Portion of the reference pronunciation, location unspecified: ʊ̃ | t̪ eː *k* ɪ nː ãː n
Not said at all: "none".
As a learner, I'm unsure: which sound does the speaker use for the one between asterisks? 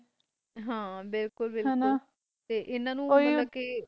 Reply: ʔ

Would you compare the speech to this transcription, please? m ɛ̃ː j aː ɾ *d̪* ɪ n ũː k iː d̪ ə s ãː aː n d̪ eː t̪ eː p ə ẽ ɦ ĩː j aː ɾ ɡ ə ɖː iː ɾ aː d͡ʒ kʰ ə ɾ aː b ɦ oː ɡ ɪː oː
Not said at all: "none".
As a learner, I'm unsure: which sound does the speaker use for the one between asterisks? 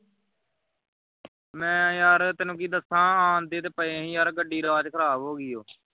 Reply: t̪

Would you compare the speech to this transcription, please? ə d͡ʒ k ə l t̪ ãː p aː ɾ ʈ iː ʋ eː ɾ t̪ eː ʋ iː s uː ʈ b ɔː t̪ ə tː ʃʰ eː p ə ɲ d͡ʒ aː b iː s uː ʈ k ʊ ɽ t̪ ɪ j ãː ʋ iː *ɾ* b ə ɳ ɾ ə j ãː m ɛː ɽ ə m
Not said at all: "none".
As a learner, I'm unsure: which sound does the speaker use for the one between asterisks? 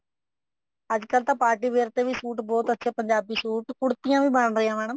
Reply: none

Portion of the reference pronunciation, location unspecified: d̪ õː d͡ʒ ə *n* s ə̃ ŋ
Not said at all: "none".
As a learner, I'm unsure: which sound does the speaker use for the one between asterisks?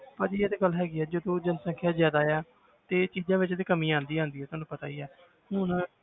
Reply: n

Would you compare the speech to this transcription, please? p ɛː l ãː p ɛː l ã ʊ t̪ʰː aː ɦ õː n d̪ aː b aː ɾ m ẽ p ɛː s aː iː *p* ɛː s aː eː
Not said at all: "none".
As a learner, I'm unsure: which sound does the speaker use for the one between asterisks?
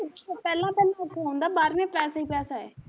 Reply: p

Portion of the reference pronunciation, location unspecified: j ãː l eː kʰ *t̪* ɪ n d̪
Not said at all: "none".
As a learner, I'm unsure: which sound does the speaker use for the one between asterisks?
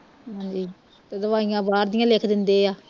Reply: d̪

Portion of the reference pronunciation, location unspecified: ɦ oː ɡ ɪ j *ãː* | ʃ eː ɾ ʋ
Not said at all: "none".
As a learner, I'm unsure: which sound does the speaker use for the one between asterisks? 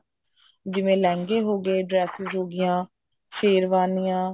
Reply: ãː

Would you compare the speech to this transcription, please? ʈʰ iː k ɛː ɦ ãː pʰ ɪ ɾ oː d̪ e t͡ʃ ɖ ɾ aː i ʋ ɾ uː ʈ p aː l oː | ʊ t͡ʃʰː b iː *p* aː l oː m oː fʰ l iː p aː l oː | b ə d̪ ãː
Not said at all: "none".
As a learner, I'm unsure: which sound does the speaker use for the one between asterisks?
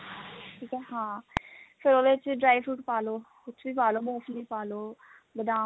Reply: p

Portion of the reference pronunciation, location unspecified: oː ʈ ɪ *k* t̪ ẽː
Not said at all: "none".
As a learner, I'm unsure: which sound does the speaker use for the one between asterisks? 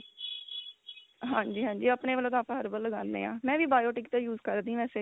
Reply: k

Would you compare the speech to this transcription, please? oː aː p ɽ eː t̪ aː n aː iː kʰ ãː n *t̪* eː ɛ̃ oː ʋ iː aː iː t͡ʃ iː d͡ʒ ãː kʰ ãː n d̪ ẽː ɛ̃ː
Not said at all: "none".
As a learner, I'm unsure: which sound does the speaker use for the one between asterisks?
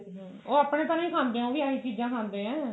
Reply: d̪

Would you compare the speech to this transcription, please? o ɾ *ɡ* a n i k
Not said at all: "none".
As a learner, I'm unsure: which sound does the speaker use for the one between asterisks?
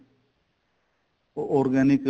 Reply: ɡ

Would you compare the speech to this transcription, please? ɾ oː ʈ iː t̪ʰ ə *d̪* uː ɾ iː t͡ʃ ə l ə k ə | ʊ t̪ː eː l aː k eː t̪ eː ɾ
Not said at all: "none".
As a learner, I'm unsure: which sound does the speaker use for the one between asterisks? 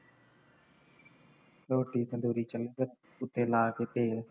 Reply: d̪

